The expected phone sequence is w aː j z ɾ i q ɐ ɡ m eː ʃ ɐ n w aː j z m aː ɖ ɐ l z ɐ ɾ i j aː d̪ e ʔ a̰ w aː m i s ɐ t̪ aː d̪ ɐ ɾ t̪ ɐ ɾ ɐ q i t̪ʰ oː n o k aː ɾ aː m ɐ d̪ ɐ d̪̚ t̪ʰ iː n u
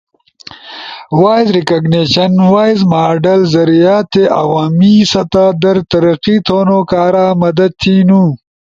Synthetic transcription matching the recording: w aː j z ɾ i k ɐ ɡ n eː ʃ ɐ n w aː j z m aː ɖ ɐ l z ɐ ɾ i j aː t̪ e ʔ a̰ w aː m i s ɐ t̪ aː d̪ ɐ ɾ t̪ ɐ ɾ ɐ q i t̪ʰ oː n o k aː ɾ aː m ɐ d̪ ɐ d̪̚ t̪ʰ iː n u